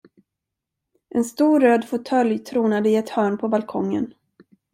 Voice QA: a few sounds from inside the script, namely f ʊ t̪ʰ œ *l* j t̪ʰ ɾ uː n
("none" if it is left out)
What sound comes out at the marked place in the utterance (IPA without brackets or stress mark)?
l